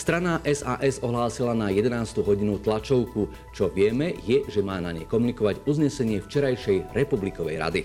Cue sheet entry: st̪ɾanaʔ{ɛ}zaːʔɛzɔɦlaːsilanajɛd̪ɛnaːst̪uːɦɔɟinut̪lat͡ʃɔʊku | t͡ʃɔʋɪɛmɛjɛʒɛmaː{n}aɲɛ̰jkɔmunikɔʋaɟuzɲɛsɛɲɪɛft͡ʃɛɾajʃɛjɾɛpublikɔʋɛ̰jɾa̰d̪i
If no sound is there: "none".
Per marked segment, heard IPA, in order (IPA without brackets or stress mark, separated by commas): ɛ, n